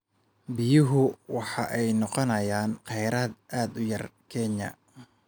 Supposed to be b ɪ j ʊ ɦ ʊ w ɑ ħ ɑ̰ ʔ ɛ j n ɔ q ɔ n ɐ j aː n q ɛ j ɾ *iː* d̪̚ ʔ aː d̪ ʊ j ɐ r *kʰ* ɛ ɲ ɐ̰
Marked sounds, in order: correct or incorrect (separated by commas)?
incorrect, correct